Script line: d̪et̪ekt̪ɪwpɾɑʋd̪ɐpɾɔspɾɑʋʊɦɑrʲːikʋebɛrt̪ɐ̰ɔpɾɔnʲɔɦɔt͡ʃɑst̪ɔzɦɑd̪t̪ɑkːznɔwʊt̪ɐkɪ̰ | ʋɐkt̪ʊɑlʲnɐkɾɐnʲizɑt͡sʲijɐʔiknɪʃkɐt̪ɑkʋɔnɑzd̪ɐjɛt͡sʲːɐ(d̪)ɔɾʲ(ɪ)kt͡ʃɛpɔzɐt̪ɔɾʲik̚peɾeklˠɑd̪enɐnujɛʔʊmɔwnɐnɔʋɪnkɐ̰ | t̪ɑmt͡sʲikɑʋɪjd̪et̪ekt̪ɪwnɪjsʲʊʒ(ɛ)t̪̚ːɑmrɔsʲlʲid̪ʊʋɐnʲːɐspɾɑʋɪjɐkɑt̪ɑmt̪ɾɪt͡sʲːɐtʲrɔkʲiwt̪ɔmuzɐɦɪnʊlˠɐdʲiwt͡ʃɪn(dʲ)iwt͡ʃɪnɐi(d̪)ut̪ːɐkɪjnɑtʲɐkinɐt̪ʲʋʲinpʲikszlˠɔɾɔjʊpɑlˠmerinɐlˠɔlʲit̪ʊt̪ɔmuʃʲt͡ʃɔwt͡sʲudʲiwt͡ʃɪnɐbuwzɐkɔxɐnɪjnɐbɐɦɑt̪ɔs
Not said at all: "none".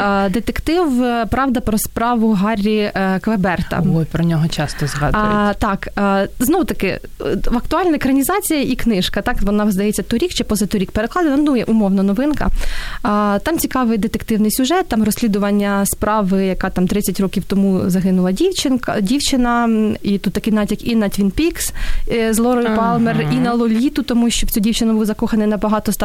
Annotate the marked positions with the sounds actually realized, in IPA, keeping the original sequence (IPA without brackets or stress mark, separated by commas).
t̪, i, ɛ, dʲ, t̪